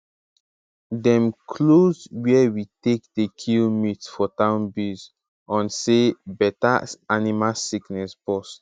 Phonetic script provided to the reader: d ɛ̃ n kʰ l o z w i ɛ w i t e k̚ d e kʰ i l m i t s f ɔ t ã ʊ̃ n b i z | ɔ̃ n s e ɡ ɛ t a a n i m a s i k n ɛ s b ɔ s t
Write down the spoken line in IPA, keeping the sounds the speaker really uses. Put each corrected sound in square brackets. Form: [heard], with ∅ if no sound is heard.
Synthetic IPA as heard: d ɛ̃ [m] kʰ l o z w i ɛ w i t e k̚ d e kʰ i l m i t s f ɔ t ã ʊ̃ n b i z | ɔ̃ n s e [b] ɛ t a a n i m a s i k n ɛ s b ɔ s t